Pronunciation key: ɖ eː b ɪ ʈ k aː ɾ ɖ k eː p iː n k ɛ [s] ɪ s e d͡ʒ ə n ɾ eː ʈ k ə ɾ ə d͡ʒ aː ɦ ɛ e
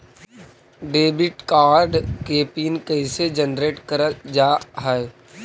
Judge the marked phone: incorrect: none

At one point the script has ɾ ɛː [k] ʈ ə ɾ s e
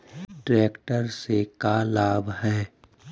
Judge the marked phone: correct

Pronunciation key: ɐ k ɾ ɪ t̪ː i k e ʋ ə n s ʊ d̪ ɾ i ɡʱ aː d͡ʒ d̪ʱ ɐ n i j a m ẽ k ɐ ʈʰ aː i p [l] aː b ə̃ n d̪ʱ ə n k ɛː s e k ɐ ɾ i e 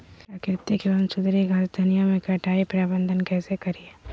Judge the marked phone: incorrect: ɾ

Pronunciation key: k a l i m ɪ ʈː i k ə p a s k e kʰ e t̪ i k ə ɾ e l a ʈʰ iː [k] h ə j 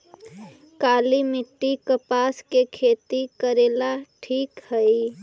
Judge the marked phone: correct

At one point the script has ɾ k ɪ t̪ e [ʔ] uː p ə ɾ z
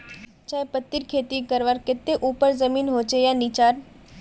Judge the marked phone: correct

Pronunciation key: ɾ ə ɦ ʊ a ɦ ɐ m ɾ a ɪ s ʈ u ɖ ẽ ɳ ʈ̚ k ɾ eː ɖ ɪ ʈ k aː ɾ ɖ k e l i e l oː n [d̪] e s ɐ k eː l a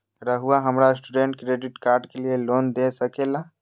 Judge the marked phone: correct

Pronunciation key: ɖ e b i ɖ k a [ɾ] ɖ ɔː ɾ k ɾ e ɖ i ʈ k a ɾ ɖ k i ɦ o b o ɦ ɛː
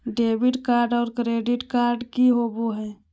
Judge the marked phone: correct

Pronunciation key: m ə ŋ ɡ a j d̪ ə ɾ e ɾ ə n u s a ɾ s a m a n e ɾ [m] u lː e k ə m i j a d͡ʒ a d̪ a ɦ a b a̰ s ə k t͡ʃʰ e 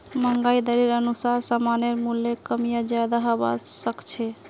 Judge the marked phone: correct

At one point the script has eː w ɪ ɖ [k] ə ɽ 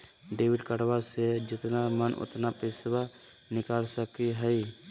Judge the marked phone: correct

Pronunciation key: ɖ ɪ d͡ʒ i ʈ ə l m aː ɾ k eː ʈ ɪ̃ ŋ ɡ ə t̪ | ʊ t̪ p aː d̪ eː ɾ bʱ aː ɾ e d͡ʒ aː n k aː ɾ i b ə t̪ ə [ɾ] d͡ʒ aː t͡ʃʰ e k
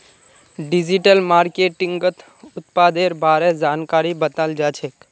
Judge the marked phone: incorrect: l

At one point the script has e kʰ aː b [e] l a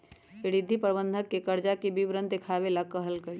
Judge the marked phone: correct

